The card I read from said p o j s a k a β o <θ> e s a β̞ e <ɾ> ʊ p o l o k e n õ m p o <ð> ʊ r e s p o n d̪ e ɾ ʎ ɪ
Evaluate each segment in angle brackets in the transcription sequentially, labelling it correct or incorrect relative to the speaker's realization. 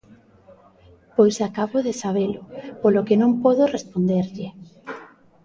incorrect: ð, incorrect: l, correct

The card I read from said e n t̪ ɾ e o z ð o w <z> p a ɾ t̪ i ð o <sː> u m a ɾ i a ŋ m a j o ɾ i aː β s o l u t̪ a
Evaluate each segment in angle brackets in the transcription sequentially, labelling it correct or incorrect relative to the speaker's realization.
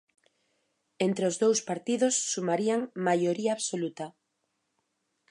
incorrect: s, correct

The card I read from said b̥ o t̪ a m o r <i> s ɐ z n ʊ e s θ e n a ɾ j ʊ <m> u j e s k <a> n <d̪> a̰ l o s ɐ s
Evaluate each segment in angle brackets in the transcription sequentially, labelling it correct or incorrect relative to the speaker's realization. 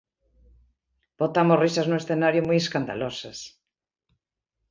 correct, correct, correct, correct

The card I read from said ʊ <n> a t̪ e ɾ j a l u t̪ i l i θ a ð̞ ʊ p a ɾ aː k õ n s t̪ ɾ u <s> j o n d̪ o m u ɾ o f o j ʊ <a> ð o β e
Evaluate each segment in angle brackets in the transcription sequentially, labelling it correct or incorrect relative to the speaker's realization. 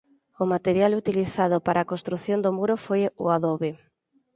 incorrect: m, incorrect: θ, correct

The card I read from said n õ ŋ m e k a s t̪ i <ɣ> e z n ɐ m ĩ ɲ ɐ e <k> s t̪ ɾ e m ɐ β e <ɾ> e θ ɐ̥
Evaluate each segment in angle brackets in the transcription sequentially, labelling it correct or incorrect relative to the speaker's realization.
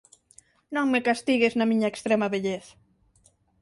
correct, correct, incorrect: ʎ

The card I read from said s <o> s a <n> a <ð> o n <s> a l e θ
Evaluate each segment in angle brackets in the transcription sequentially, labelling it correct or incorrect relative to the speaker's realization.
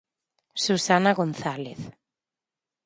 incorrect: u, correct, incorrect: ɣ, incorrect: θ

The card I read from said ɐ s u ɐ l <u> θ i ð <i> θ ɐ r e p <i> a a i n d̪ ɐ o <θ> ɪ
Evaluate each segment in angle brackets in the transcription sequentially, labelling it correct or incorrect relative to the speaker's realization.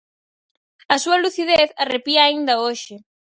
correct, incorrect: e, correct, incorrect: ʃ

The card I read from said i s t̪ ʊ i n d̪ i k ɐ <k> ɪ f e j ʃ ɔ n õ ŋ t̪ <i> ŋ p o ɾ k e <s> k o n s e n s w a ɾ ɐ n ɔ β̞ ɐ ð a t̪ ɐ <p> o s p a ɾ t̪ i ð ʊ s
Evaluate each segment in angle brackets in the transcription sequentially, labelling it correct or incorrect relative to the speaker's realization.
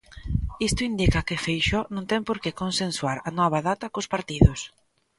correct, incorrect: ɛ, incorrect: none, incorrect: k

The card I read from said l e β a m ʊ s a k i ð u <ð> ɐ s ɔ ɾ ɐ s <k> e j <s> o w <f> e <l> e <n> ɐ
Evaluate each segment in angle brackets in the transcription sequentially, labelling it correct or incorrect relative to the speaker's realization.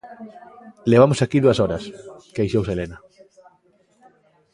incorrect: none, correct, incorrect: ʃ, incorrect: s, correct, correct

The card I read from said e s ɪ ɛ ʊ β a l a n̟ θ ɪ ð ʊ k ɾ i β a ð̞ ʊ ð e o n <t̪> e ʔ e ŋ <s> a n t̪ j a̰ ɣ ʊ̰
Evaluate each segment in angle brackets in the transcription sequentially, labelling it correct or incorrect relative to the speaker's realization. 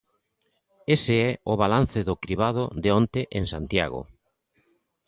correct, correct

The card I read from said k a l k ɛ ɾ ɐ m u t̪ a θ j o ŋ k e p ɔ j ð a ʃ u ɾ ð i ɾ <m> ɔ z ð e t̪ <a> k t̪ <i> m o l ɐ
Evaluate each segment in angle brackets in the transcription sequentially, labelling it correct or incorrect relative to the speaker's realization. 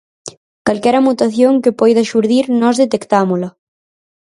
incorrect: n, incorrect: e, incorrect: a

